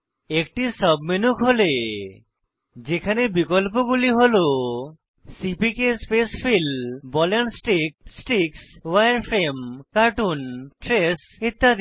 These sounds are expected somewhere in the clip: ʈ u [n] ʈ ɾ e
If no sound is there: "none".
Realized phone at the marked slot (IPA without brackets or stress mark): n